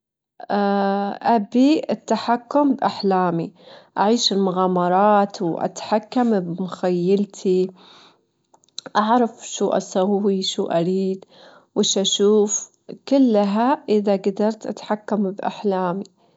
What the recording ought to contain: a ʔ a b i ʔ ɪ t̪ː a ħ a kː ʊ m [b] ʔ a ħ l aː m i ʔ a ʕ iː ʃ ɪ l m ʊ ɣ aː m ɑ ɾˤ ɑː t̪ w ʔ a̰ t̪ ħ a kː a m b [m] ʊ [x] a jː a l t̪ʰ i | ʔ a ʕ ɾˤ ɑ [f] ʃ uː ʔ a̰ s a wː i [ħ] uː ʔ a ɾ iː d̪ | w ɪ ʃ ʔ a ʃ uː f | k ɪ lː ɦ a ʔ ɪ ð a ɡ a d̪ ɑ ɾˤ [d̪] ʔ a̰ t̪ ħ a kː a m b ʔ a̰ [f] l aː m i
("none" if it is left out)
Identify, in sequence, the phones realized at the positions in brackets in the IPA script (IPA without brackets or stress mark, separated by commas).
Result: b, m, x, f, ʃ, t̪, ħ